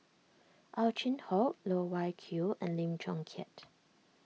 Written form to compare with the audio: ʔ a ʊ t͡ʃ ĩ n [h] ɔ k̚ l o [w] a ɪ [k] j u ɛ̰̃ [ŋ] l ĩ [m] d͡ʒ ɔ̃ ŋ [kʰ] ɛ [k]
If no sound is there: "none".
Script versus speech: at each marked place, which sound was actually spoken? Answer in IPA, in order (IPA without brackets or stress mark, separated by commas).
h, w, kʰ, n, m, kʰ, t